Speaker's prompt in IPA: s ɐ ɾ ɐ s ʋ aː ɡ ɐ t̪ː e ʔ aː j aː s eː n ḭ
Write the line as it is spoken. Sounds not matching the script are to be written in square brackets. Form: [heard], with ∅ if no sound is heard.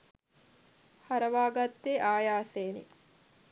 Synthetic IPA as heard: [h] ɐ ɾ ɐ [∅] ʋ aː ɡ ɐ t̪ː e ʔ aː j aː s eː n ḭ